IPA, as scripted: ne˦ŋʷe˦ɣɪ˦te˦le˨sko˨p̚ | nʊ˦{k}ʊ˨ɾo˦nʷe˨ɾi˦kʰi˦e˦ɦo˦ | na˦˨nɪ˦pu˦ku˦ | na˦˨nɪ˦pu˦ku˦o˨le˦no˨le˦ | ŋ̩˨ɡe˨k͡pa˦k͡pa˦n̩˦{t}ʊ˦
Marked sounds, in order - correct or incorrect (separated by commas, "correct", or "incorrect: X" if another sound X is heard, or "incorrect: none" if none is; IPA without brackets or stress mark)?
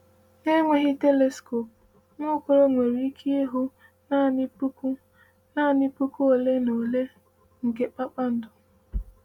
correct, incorrect: d